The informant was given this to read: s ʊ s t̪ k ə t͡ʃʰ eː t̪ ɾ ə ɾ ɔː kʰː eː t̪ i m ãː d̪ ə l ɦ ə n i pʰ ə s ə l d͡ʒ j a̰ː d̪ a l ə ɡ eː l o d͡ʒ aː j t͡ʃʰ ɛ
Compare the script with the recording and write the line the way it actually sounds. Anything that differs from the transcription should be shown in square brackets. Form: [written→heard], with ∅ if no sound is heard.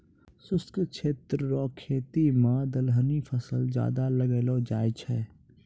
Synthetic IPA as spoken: s ʊ s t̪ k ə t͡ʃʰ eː t̪ ɾ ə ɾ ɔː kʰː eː t̪ i m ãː d̪ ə l ɦ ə n i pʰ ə s ə l d͡ʒ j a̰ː d̪ a l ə ɡ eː l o d͡ʒ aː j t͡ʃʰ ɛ